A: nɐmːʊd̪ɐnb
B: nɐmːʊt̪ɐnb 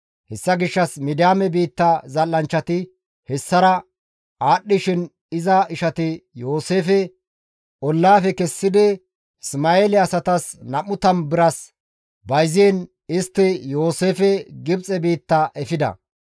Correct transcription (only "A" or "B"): B